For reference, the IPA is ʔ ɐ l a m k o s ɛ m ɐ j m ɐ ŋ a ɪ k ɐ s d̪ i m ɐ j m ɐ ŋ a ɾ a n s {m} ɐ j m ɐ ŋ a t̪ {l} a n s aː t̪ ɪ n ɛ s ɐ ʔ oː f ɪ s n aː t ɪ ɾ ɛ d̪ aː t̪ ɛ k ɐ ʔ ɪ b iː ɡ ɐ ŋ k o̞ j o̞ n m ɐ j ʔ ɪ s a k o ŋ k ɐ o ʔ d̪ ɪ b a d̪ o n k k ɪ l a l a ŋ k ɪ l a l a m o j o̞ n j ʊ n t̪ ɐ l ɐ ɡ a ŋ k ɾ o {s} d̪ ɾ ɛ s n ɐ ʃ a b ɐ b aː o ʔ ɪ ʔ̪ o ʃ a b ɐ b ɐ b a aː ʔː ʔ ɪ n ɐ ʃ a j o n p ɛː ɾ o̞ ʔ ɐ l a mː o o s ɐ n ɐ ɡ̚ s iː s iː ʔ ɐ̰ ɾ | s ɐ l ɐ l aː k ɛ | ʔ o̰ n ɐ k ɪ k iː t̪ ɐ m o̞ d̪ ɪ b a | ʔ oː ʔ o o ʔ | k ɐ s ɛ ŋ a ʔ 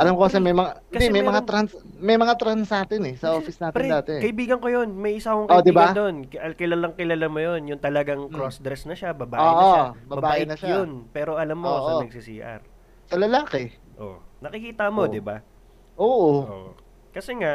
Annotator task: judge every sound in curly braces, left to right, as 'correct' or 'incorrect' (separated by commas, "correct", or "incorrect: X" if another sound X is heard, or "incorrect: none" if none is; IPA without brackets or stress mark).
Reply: correct, incorrect: ɾ, correct